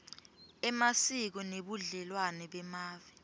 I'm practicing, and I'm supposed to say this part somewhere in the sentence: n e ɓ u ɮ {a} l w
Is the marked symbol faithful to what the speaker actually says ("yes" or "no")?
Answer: no